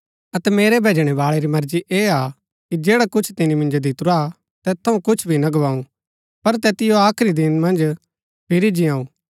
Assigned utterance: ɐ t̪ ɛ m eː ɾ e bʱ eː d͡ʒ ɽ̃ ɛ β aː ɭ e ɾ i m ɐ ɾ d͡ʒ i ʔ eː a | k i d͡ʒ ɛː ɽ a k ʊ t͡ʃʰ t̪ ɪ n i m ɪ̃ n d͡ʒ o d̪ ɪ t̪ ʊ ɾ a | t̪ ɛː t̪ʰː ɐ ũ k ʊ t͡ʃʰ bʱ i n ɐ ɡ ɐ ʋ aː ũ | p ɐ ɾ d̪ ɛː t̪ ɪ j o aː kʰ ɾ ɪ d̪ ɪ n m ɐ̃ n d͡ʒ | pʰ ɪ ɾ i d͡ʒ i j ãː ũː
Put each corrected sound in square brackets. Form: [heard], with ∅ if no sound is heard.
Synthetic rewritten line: ɐ t̪ ɛ m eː ɾ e bʱ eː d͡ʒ ɽ̃ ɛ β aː ɭ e ɾ i m ɐ ɾ d͡ʒ i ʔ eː a | k i d͡ʒ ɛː ɽ a k ʊ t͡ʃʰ t̪ ɪ n i m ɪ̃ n d͡ʒ o d̪ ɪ t̪ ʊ ɾ a | t̪ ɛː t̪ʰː ɐ ũ k ʊ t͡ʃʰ bʱ i n ɐ ɡ ɐ ʋ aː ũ | p ɐ ɾ [t̪] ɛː t̪ ɪ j o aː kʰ ɾ [i] d̪ ɪ n m ɐ̃ n d͡ʒ | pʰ ɪ ɾ i d͡ʒ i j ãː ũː